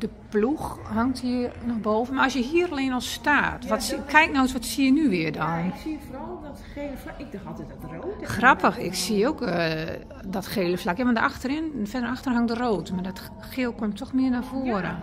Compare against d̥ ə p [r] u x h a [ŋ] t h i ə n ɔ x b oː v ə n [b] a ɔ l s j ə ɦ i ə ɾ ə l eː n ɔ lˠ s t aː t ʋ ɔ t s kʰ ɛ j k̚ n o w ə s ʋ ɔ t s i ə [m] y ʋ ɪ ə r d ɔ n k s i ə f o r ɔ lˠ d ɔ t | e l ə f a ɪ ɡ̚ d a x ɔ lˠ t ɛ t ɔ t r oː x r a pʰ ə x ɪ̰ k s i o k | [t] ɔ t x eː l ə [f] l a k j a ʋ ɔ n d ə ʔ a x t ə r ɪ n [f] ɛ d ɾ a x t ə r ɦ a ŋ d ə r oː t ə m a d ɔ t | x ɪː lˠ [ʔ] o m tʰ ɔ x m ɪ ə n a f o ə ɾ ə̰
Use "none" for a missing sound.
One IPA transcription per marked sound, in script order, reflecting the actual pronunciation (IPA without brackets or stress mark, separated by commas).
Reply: l, ŋ, m, n, d, f, f, k